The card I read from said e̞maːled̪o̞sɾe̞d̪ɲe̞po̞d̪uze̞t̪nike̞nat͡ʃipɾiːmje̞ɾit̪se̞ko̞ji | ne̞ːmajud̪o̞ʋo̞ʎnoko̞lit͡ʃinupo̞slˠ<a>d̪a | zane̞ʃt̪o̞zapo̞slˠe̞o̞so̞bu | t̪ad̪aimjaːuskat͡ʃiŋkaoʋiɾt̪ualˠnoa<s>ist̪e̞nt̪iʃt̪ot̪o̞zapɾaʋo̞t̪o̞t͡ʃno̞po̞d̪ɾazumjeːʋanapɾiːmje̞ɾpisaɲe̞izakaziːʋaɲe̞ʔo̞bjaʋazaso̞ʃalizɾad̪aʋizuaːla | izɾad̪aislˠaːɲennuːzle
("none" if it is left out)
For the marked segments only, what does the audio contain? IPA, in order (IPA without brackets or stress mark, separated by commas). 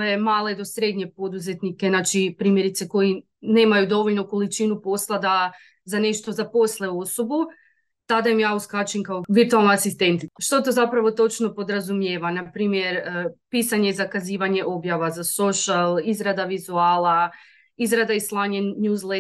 a, s